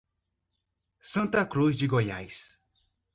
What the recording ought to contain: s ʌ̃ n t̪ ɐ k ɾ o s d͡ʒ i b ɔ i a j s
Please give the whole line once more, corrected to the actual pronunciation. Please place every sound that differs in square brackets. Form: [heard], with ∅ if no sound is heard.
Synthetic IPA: s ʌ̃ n t̪ [a] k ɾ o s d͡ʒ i [ɡ] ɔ [j] a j s